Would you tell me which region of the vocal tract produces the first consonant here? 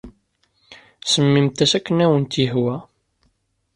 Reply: tongue tip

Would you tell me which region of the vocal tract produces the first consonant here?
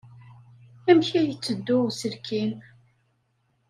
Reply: lips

